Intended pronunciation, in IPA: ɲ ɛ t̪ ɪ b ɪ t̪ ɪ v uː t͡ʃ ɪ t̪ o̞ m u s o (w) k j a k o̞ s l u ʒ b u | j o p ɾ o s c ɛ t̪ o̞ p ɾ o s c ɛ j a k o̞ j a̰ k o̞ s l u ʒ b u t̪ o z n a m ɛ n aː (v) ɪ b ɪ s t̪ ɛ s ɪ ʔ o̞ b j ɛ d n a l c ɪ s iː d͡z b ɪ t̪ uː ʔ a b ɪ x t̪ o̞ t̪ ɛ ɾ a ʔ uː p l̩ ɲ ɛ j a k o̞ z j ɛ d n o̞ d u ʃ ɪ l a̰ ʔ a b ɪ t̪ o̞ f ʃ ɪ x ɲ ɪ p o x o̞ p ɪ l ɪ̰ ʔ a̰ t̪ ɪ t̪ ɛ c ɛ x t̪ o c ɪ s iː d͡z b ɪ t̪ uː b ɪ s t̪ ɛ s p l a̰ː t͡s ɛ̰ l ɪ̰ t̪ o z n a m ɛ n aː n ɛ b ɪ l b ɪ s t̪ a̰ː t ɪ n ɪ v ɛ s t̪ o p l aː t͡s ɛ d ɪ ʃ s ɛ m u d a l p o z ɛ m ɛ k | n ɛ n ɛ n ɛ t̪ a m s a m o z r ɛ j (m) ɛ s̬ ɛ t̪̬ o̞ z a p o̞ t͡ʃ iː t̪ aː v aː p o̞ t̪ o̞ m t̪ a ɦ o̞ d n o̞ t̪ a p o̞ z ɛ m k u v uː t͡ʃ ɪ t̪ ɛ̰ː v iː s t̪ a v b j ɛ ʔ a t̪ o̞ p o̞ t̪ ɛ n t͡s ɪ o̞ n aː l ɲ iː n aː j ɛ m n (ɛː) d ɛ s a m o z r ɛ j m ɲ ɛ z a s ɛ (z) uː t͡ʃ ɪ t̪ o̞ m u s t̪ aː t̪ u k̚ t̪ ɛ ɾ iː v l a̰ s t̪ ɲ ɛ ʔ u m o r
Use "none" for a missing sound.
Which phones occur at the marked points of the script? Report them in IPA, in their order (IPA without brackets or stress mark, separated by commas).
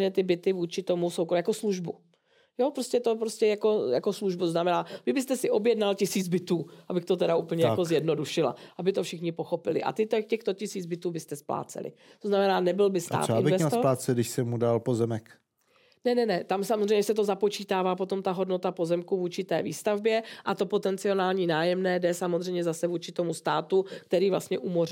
w, v, ɲ, ɛː, v